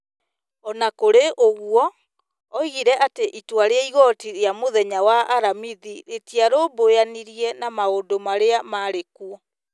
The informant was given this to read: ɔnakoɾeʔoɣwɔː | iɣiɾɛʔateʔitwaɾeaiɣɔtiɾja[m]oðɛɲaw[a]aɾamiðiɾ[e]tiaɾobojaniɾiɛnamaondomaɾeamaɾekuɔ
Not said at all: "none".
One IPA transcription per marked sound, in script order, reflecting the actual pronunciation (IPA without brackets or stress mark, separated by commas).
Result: m, a, e